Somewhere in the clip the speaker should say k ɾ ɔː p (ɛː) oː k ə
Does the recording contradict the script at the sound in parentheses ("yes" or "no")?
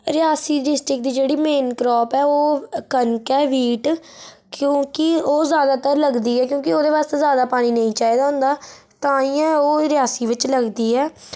no